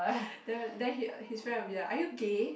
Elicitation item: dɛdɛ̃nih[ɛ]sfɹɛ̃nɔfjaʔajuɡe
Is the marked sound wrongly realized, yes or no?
yes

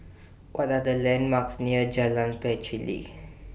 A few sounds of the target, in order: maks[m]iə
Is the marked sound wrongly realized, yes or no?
yes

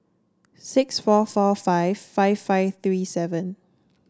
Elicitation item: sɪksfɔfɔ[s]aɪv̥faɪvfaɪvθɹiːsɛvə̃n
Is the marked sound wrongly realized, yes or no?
yes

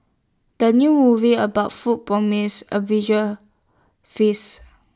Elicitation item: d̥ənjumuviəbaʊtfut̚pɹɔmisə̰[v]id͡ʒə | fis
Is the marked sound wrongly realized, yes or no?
no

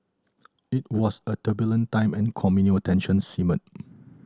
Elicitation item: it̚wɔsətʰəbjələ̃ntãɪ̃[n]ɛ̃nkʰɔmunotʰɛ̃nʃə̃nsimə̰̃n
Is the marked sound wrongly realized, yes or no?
yes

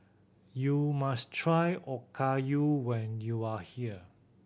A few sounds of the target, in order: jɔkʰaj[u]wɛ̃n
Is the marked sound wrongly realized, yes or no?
no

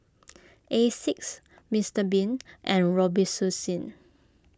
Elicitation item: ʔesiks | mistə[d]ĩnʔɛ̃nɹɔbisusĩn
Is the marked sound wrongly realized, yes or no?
yes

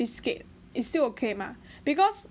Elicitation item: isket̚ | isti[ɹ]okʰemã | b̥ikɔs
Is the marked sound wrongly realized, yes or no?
yes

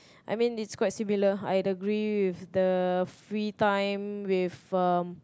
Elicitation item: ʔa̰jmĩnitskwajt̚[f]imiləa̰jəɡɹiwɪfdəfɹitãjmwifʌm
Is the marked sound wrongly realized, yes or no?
yes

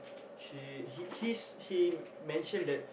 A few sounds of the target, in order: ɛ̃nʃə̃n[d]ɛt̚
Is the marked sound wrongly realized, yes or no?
no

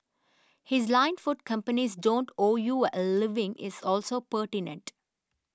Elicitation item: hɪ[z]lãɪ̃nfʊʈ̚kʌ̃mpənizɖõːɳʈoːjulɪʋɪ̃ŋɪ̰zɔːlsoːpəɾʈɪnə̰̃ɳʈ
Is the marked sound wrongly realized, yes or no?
no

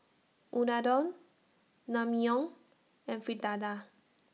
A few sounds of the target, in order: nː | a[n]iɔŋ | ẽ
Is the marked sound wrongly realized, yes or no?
yes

